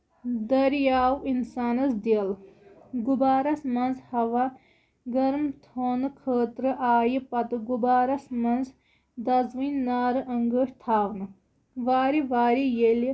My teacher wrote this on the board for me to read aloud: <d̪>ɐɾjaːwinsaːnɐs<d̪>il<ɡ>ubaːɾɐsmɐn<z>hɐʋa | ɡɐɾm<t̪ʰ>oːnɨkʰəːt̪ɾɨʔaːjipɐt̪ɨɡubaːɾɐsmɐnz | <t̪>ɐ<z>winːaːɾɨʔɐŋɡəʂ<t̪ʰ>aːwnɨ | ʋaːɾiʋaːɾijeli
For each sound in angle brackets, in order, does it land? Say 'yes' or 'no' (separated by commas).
yes, yes, yes, yes, yes, no, yes, yes